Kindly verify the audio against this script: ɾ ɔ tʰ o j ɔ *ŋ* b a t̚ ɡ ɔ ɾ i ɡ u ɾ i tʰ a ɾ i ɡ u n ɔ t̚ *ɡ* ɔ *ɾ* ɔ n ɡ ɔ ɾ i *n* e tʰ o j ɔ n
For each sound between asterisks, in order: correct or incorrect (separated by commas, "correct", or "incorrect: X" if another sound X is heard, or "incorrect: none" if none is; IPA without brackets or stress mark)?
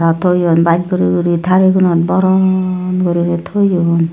incorrect: n, incorrect: b, correct, correct